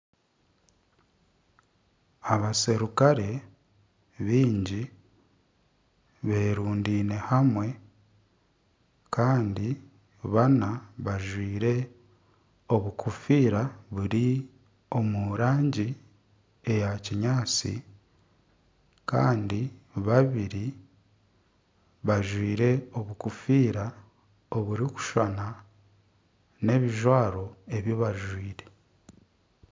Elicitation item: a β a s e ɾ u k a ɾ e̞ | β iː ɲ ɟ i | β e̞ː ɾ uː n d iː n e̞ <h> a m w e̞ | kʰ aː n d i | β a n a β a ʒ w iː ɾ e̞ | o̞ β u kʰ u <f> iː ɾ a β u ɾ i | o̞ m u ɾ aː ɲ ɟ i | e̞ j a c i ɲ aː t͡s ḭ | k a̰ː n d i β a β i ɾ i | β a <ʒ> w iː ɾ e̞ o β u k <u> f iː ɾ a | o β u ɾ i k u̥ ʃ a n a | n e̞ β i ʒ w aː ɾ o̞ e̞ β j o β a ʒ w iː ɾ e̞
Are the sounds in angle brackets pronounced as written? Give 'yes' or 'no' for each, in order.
yes, yes, yes, yes

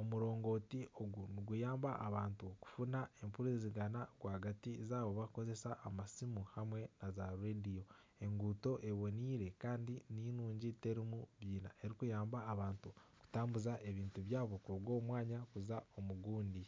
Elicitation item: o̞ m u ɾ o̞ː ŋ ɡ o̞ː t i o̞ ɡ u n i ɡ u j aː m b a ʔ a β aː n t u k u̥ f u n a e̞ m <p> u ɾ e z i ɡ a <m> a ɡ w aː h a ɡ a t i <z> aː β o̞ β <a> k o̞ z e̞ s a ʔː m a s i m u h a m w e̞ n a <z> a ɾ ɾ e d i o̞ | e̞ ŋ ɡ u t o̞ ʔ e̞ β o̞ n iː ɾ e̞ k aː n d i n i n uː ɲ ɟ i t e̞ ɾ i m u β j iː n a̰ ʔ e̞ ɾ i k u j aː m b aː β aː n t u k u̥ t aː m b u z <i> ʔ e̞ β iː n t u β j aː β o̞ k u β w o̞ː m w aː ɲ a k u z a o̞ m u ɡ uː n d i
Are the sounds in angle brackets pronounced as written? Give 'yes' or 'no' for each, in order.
yes, no, yes, yes, yes, no

